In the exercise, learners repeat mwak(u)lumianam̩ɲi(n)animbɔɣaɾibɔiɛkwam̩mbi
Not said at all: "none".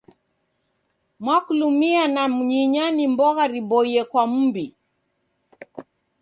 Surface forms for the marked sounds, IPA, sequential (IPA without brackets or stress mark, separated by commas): u, ɲ